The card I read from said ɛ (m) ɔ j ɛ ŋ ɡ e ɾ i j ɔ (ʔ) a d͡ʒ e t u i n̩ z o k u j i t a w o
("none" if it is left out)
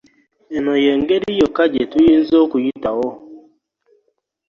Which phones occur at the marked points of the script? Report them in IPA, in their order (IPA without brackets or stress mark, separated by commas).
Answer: n, k